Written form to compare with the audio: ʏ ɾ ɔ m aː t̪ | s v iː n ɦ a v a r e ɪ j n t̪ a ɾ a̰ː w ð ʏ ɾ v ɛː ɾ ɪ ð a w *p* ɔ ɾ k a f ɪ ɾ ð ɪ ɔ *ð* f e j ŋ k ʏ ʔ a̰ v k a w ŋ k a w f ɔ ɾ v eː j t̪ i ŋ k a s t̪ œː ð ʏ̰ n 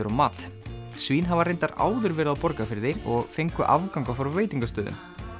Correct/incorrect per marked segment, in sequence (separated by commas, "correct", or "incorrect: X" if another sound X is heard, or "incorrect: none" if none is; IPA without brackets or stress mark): correct, incorrect: ɣ